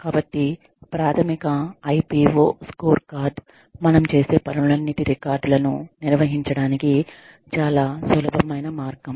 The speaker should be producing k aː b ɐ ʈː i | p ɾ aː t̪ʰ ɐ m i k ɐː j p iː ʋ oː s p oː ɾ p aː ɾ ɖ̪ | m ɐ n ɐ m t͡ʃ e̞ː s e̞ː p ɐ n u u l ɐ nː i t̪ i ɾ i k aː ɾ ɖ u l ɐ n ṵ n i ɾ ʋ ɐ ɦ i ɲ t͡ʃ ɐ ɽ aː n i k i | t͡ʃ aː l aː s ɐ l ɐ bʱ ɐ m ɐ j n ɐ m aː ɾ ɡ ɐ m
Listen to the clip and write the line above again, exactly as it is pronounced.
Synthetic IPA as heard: k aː b ɐ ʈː i | p ɾ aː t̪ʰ ɐ m i k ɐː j p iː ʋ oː s k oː ɾ k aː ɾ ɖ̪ | m ɐ n ɐ m t͡ʃ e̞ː s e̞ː p ɐ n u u l ɐ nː i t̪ i ɾ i k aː ɾ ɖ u l ɐ n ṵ n i ɾ ʋ ɐ ɦ i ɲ t͡ʃ ɐ ɽ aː n i k i | t͡ʃ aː l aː s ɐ l ɐ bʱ ɐ m ɐ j n ɐ m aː ɾ ɡ ɐ m